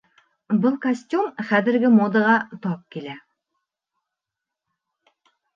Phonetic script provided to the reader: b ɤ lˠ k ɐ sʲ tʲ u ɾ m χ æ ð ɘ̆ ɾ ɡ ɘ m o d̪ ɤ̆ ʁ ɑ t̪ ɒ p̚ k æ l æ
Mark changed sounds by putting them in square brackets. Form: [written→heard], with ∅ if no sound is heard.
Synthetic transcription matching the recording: b ɤ lˠ k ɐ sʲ tʲ u [ɾ→∅] m χ æ ð ɘ̆ ɾ ɡ ɘ m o d̪ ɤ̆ ʁ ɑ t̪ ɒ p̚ k [æ→i] l æ